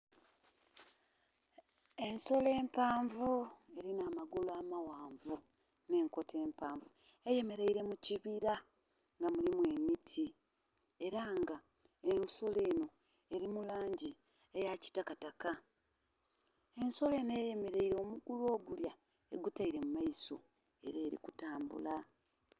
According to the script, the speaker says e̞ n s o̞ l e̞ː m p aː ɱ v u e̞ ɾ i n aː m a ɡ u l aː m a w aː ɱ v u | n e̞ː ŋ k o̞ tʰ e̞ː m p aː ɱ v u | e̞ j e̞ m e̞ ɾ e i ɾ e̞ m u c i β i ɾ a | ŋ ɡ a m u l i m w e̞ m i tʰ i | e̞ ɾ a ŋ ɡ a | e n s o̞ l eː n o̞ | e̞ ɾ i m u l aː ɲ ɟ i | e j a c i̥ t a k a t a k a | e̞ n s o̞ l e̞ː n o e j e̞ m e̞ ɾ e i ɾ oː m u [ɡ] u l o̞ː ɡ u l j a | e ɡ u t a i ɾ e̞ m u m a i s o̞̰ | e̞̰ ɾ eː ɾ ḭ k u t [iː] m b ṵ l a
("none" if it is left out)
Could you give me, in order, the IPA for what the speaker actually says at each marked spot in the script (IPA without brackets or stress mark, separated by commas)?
ɡ, aː